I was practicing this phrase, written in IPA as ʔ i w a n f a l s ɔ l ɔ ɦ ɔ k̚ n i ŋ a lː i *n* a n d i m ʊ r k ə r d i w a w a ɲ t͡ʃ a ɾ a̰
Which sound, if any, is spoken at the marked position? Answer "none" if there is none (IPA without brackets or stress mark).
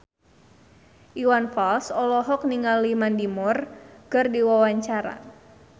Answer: m